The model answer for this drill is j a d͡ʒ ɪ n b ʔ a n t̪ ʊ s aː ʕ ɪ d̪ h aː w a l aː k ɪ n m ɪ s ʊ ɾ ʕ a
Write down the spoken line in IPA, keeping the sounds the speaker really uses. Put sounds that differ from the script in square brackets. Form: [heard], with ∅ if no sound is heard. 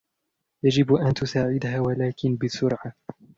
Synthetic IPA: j a d͡ʒ ɪ [∅] b ʔ a n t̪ ʊ s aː ʕ ɪ d̪ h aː w a l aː k ɪ n [b] ɪ s ʊ ɾ ʕ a

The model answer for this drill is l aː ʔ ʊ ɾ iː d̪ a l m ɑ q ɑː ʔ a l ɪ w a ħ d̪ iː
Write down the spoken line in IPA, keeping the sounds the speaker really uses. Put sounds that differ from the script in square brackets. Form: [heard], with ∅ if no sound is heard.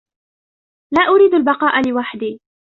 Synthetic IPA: l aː ʔ ʊ ɾ iː d̪ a l [b] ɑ q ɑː ʔ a l ɪ w a ħ d̪ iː

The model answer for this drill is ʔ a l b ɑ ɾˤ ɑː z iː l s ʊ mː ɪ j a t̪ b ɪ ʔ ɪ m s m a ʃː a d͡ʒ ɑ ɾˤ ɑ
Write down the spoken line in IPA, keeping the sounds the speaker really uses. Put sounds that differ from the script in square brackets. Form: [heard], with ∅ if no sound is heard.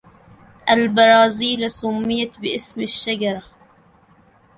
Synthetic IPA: ʔ a l b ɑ ɾˤ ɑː z iː l s ʊ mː ɪ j a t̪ b ɪ ʔ ɪ [∅] s m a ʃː a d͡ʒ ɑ ɾˤ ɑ

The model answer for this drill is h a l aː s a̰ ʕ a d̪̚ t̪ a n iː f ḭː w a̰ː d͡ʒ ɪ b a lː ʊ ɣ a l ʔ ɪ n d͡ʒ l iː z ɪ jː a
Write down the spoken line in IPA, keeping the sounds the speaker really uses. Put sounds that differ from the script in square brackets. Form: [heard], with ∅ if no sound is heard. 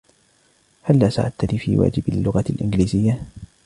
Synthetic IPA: h a [lː] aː s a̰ ʕ a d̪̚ t̪ a n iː f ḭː w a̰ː d͡ʒ ɪ b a lː ʊ ɣ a l ʔ ɪ n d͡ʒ l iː z ɪ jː a

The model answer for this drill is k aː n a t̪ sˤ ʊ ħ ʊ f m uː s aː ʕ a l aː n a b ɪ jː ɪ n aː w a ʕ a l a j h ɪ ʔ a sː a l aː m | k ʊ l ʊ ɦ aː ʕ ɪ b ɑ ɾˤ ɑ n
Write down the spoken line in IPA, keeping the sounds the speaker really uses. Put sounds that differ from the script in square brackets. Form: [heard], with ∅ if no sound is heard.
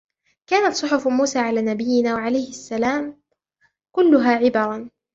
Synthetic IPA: k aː n a t̪ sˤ ʊ ħ ʊ f m uː s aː ʕ a l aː n a b ɪ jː ɪ n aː w a ʕ a l a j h ɪ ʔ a sː a l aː m | k ʊ [lː] ʊ ɦ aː ʕ ɪ b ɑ ɾˤ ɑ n

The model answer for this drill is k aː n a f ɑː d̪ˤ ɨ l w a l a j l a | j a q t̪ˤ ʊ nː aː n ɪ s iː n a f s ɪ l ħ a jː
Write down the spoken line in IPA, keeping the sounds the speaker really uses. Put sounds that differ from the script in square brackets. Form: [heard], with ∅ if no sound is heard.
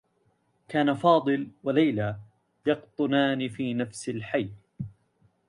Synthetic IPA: k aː n a f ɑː d̪ˤ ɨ l w a l a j l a | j [ɑ] q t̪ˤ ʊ [n] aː n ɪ [f] iː n a f s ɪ l ħ a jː

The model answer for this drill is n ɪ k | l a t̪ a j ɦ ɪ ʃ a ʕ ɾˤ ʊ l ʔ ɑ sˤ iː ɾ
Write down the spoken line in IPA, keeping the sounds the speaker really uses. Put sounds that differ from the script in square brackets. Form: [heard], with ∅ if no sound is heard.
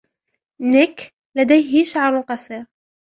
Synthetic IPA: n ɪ k | l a [d̪] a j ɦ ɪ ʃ a ʕ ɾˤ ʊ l [q] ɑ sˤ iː ɾ

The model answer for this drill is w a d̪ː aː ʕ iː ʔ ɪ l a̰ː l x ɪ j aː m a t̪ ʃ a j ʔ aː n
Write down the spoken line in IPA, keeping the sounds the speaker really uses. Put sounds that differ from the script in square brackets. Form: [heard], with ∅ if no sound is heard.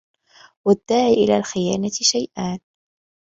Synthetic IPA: w a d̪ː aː ʕ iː ʔ ɪ l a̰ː l x ɪ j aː [n] a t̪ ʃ a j ʔ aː n

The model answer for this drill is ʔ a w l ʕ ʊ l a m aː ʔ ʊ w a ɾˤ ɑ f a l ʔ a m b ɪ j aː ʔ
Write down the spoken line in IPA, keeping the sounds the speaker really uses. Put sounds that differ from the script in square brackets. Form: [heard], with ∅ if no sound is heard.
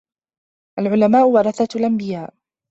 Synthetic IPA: ʔ a [∅] l ʕ ʊ l a m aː ʔ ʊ w [ɑ] ɾˤ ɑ [θ] a l ʔ a m b ɪ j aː ʔ

